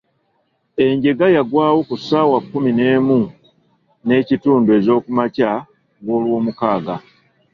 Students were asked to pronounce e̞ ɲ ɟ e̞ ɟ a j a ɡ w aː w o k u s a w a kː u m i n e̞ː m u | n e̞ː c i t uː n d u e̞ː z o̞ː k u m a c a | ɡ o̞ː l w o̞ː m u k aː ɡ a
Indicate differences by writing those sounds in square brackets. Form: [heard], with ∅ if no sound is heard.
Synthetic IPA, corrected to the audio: e̞ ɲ ɟ e̞ [ɡ] a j a ɡ w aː w o k u s a w a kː u m i n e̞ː m u | n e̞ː c i t uː n d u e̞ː z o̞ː k u m a c a | ɡ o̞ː l w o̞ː m u k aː ɡ a

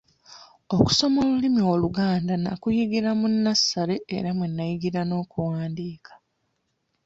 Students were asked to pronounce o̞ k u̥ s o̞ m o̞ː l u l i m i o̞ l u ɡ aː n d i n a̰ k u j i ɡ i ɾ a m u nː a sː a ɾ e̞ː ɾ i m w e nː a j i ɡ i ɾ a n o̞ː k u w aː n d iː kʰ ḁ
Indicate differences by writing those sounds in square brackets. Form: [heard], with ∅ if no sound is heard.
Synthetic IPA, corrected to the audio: o̞ k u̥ s o̞ m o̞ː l u l i m i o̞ l u ɡ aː n d [a] n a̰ k u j i ɡ i ɾ a m u nː a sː a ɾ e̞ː ɾ [a] m w e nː a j i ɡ i ɾ a n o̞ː k u w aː n d iː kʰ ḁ

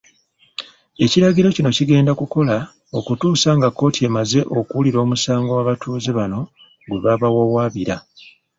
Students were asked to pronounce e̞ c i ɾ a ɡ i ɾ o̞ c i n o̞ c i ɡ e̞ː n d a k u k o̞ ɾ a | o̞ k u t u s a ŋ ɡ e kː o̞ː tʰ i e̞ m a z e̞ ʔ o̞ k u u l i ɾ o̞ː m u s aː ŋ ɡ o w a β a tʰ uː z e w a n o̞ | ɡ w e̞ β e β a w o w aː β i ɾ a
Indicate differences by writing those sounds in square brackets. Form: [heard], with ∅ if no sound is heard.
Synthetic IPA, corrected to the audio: e̞ c i ɾ a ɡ i ɾ o̞ c i n o̞ c i ɡ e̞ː n d a k u k o̞ [l] a | o̞ k u t [uː] s a ŋ ɡ [a] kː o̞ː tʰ i e̞ m a z e̞ ʔ o̞ k u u l i ɾ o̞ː m u s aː ŋ ɡ o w a β a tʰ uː z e [β] a n o̞ | ɡ w e̞ β [a] β a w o w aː β i ɾ a

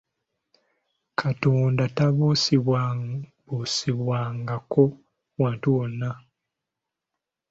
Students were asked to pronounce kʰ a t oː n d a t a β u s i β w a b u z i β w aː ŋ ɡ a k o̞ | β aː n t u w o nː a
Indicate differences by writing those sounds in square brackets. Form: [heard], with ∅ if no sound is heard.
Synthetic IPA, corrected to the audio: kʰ a t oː n d a t a β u s i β w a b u [s] i β w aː ŋ ɡ a k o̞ | [w] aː n t u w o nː a

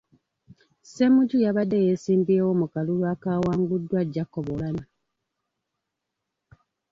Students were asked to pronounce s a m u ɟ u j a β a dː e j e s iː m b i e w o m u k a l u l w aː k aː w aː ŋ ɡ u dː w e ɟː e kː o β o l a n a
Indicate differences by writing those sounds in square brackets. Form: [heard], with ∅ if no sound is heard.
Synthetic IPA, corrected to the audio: s [e] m u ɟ u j a β a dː e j e s iː m b i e w o m u k a l u l w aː k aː w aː ŋ ɡ u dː w [a] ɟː [a] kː o β o l a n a

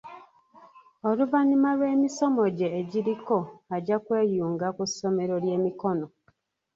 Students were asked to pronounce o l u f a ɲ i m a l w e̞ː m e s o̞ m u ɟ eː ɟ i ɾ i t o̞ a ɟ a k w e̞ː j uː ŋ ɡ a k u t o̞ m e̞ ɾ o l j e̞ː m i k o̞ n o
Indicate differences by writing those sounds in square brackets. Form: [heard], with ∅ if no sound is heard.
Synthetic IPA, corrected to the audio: o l u [v] a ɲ i m a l w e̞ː m [i] s o̞ m [o] ɟ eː ɟ i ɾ i [k] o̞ a ɟ a k w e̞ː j uː ŋ ɡ a k u [s] o̞ m e̞ ɾ o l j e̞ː m i k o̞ n o

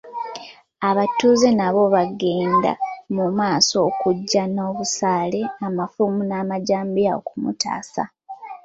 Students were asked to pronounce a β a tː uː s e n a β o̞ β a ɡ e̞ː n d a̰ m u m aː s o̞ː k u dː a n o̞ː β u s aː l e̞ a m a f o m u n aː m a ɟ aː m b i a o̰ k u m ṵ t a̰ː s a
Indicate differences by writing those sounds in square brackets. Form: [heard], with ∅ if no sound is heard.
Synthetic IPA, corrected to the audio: a β a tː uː [z] e n a β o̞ β a ɡ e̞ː n d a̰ m u m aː s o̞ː k u [ɟː] a n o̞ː β u s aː l e̞ a m a f [u] m u n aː m a ɟ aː m b i a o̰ k u m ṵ t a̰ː s a

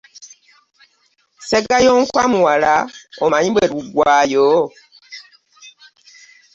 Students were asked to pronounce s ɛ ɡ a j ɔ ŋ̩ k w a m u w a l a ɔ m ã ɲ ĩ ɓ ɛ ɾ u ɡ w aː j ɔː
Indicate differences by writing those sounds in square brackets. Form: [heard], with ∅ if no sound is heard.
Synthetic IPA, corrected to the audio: s ɛ ɡ a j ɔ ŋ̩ k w a m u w a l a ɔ m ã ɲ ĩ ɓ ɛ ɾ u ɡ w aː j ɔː

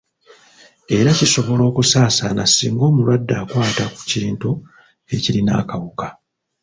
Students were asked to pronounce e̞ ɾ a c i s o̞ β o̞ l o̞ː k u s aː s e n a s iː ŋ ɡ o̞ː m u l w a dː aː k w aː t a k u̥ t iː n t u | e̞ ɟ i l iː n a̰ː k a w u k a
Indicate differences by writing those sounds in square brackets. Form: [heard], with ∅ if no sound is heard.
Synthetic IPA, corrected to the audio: e̞ ɾ a c i s o̞ β o̞ l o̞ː k u s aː s [a] n a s iː ŋ ɡ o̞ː m u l w a dː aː k w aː t a k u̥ [c] iː n t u | e̞ [c] i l [i] n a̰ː k a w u k a

